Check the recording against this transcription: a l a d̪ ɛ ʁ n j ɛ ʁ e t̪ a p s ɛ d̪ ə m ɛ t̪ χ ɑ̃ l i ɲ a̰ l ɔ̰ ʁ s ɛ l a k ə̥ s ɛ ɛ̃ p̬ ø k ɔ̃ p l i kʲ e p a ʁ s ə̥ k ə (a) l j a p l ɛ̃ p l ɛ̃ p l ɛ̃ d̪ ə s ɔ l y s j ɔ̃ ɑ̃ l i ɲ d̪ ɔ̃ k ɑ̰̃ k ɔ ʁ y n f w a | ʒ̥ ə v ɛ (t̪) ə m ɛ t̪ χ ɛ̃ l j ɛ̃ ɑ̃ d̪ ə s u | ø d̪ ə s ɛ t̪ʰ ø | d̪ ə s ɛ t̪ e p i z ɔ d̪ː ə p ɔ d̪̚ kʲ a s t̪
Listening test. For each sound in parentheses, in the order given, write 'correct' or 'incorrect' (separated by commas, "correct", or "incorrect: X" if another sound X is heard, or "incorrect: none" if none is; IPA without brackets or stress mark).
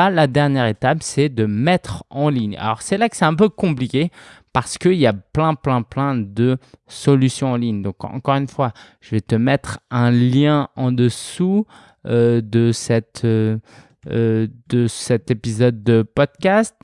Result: incorrect: i, correct